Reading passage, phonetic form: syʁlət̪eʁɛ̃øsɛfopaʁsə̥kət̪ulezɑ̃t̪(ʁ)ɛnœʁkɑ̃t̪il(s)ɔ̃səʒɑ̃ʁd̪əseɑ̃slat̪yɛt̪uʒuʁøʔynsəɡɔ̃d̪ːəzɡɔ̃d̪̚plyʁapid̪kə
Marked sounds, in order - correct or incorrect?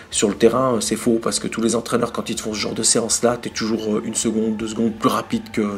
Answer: incorrect: χ, incorrect: f

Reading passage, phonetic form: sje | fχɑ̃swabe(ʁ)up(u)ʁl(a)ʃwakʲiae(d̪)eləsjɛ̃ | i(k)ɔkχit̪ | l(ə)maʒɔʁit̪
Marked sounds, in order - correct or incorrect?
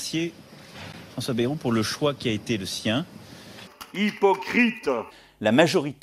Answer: correct, correct, incorrect: ə, incorrect: t̪, incorrect: p, incorrect: a

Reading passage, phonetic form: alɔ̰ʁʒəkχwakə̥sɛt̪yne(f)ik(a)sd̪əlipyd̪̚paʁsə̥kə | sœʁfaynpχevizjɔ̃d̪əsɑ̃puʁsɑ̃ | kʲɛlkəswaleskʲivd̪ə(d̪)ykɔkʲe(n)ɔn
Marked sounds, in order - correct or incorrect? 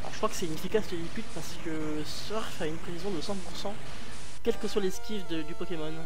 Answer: correct, correct, correct, incorrect: m

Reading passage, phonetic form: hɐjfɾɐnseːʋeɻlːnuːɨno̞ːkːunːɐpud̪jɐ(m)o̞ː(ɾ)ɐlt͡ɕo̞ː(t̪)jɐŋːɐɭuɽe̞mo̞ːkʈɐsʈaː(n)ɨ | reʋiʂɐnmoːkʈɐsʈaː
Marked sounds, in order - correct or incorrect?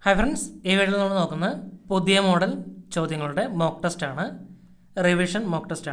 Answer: correct, incorrect: ɽ, incorrect: d̪, incorrect: ɳ

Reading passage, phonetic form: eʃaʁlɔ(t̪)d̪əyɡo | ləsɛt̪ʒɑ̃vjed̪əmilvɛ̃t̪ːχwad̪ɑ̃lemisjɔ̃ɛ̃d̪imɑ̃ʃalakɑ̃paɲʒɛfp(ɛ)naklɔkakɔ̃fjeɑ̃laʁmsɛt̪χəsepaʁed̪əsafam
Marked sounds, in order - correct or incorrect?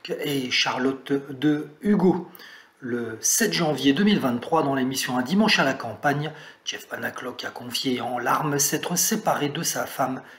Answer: correct, incorrect: a

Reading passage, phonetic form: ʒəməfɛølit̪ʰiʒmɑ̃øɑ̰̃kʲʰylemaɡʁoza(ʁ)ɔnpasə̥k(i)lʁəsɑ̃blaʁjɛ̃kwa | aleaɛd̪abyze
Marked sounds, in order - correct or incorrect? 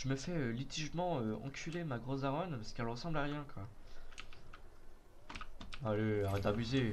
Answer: correct, incorrect: ɛ

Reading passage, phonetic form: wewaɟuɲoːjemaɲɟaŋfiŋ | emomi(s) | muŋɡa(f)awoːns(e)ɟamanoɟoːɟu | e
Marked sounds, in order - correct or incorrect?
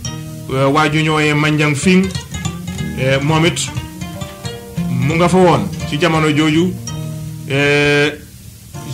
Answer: incorrect: t, correct, incorrect: i

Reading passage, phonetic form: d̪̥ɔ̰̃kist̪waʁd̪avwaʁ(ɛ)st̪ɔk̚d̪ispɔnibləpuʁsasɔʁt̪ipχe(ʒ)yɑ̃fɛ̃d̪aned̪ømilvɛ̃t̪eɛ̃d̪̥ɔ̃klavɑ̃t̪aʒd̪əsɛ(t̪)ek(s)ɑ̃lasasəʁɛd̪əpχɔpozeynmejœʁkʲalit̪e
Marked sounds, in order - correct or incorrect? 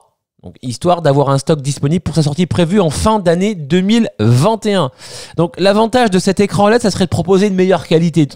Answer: incorrect: ɛ̃, incorrect: v, correct, incorrect: χ

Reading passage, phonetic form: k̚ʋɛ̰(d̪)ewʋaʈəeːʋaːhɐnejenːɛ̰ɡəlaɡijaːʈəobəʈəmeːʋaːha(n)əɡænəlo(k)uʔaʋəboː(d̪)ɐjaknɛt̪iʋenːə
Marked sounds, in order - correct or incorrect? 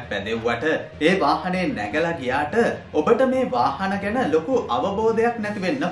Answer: correct, correct, correct, correct

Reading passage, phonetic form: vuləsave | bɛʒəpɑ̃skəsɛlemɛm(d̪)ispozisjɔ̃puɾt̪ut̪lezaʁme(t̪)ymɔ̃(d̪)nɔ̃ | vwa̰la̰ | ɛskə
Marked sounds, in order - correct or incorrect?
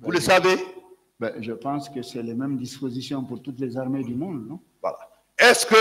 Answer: correct, incorrect: d̪, correct

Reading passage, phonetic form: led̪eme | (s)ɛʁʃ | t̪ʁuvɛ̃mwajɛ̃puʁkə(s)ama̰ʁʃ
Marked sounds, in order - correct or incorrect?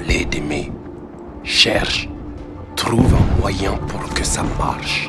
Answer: incorrect: ʃ, correct

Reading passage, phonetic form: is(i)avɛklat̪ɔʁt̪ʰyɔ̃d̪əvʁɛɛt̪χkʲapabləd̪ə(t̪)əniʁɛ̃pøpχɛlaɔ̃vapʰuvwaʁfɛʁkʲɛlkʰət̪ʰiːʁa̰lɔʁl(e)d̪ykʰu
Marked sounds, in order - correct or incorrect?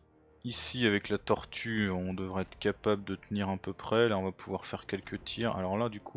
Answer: correct, correct, incorrect: a

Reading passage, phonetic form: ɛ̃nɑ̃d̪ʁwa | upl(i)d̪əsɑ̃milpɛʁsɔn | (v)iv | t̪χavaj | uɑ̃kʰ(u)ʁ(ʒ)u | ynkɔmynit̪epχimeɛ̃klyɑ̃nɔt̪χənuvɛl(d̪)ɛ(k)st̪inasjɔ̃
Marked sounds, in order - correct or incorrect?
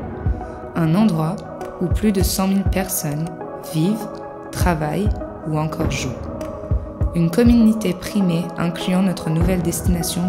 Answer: incorrect: y, correct, incorrect: ɔ, correct, correct, incorrect: none

